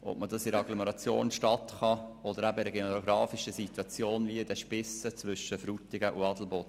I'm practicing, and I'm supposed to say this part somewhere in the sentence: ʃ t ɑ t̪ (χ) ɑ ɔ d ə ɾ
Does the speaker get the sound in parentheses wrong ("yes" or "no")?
no